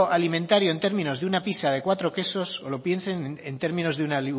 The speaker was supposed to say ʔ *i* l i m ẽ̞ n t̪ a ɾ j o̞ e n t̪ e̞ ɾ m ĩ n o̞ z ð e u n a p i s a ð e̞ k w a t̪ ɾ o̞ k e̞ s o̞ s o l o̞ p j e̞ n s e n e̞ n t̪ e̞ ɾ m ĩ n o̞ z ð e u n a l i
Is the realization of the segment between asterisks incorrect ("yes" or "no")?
yes